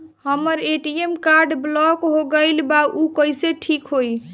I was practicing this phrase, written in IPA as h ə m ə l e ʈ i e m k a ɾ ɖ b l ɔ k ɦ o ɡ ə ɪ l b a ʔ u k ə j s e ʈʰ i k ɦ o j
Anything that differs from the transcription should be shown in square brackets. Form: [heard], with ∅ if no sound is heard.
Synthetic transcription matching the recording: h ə m ə [ɾ] e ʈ i e m k a ɾ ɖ b l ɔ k ɦ o ɡ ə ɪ l b a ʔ u k ə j s e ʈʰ i k ɦ o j